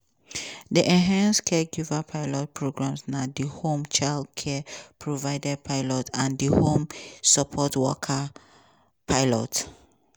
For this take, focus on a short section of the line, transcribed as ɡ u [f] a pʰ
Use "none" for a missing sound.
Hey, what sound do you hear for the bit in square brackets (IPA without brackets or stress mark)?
v